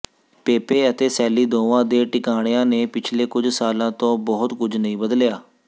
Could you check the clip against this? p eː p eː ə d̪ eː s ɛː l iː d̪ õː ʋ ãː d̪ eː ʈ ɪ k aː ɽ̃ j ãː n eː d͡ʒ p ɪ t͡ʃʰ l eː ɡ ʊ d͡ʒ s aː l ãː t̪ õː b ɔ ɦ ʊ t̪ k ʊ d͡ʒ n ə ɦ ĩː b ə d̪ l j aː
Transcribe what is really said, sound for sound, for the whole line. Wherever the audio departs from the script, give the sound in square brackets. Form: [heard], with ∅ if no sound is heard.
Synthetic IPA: p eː p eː ə [t̪] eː s ɛː l iː d̪ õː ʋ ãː d̪ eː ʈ ɪ k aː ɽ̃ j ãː n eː [∅] p ɪ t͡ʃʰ l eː [k] ʊ d͡ʒ s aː l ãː t̪ õː b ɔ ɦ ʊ t̪ k ʊ d͡ʒ n ə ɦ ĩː b ə d̪ l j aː